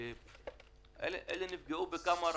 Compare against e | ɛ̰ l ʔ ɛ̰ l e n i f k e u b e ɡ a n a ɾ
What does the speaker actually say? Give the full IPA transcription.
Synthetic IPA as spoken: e | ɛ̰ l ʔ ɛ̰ l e n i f ɡ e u b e k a m a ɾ